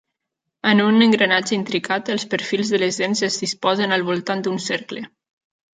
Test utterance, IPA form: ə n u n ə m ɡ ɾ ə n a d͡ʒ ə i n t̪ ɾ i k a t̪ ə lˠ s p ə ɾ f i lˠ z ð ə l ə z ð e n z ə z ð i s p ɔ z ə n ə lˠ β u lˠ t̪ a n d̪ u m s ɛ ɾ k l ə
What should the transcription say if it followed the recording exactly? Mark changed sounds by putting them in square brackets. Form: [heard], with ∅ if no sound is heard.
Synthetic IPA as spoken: ə n u n ə [ŋ] ɡ ɾ ə n a d͡ʒ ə i n t̪ ɾ i k a t̪ ə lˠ s p ə ɾ f i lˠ z ð ə l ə z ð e n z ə z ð i s p ɔ z ə n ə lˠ β u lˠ t̪ a n d̪ u [n] s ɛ ɾ k l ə